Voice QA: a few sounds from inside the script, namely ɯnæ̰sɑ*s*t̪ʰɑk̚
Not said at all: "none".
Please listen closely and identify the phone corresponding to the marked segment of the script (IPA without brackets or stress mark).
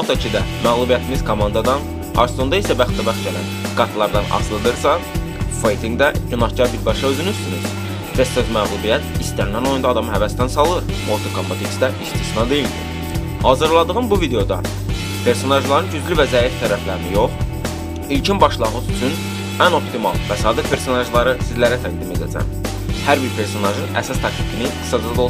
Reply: s